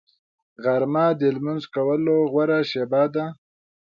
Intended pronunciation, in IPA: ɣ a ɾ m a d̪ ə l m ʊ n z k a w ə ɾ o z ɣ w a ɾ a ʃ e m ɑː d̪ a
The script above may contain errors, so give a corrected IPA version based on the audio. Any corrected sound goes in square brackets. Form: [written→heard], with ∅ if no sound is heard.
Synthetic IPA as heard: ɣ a ɾ m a d̪ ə l m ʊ n z k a w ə [ɾ→l] o [z→∅] ɣ w a ɾ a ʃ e [m→b] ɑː d̪ a